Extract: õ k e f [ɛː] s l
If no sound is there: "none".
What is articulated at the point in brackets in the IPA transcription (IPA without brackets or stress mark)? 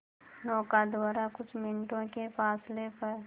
aː